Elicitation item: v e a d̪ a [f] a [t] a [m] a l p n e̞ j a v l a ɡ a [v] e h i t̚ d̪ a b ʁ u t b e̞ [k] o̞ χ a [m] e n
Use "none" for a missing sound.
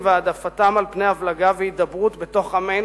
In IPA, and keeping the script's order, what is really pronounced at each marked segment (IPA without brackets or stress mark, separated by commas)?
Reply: f, t, m, v, t, m